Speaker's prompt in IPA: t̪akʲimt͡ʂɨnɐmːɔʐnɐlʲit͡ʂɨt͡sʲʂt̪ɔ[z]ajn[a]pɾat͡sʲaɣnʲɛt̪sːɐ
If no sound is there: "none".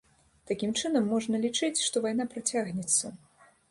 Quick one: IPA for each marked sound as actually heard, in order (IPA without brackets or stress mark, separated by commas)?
v, a